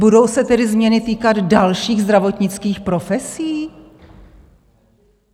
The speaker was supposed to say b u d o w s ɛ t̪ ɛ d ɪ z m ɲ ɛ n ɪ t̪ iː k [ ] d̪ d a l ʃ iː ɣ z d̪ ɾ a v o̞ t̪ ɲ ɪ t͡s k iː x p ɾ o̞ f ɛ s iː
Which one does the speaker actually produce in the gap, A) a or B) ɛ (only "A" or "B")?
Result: A